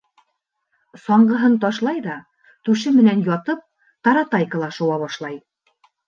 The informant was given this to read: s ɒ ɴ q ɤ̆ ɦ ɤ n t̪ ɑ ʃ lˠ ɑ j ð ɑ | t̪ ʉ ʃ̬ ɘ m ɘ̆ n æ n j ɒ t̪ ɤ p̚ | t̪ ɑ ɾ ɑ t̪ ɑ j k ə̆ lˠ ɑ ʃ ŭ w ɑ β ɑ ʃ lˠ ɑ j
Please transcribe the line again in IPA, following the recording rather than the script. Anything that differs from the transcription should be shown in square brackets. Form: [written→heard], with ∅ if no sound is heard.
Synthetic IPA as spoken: s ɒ ɴ [q→ɢ] ɤ̆ ɦ ɤ n t̪ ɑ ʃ lˠ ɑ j ð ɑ | t̪ ʉ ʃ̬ ɘ m ɘ̆ n æ n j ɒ t̪ ɤ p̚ | t̪ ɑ ɾ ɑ t̪ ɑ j k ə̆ lˠ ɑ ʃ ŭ w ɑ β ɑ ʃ lˠ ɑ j